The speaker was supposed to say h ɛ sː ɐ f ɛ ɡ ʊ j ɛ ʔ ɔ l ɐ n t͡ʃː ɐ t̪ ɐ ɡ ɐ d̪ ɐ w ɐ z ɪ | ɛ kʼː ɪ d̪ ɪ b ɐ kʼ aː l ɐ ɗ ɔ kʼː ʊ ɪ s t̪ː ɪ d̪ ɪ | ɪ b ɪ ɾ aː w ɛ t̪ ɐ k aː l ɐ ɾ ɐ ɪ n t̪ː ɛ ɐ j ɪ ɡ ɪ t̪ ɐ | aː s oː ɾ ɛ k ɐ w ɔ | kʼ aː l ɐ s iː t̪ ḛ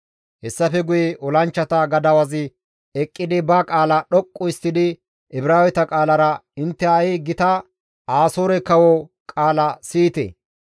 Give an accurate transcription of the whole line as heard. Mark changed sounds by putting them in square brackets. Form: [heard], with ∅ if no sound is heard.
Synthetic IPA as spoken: h ɛ sː ɐ f ɛ ɡ ʊ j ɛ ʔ ɔ l ɐ n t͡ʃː ɐ t̪ ɐ ɡ ɐ d̪ ɐ w ɐ z ɪ | ɛ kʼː ɪ d̪ ɪ b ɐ kʼ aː l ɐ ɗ ɔ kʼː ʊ ɪ s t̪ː ɪ d̪ ɪ | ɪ b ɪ ɾ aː w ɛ t̪ ɐ [kʼ] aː l ɐ ɾ ɐ ɪ n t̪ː ɛ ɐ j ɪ ɡ ɪ t̪ ɐ | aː s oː ɾ ɛ k ɐ w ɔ | kʼ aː l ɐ s iː t̪ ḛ

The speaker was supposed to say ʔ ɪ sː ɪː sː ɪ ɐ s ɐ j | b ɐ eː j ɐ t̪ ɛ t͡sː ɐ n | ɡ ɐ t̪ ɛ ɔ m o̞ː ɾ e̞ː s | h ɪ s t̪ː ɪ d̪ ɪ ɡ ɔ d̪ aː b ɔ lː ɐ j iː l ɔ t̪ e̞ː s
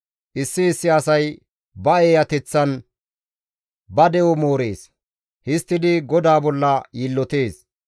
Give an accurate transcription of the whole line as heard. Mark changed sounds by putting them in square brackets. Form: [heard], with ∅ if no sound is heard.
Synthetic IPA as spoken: ʔ ɪ sː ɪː sː ɪ ɐ s ɐ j | b ɐ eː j ɐ t̪ ɛ t͡sː ɐ n | [b] ɐ [d̪] ɛ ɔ m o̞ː ɾ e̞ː s | h ɪ s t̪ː ɪ d̪ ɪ ɡ ɔ d̪ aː b ɔ lː ɐ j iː [lː] ɔ t̪ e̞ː s

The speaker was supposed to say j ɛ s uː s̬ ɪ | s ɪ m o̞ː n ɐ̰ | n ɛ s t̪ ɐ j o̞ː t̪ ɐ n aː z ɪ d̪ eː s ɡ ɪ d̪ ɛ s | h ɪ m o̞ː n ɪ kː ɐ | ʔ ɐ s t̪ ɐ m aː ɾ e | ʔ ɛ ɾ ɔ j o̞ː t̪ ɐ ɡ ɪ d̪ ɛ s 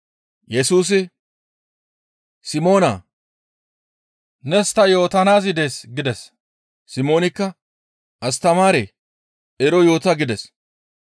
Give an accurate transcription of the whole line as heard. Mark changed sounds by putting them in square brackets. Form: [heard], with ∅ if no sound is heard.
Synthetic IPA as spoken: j ɛ s uː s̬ ɪ | s ɪ m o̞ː n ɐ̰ | n ɛ s t̪ ɐ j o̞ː t̪ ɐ n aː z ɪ d̪ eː s ɡ ɪ d̪ ɛ s | [s] ɪ m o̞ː n ɪ kː ɐ | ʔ ɐ s t̪ ɐ m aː ɾ e | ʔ ɛ ɾ ɔ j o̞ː t̪ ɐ ɡ ɪ d̪ ɛ s

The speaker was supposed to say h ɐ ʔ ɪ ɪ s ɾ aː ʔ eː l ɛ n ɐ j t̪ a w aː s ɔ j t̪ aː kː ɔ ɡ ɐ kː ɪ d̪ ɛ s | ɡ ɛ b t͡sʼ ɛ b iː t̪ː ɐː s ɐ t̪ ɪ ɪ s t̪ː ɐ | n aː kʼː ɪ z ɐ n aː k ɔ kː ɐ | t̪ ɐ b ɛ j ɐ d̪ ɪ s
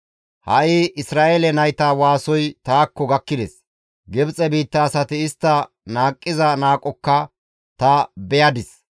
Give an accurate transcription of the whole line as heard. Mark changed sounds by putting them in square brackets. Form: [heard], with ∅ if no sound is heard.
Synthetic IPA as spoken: h ɐ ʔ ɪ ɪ s ɾ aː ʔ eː l ɛ n ɐ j t̪ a w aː s ɔ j t̪ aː kː ɔ ɡ ɐ kː ɪ d̪ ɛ s | ɡ ɛ b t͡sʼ ɛ b iː t̪ː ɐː s ɐ t̪ ɪ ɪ s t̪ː ɐ | n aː kʼː ɪ z ɐ n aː [kʼ] ɔ kː ɐ | t̪ ɐ b ɛ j ɐ d̪ ɪ s

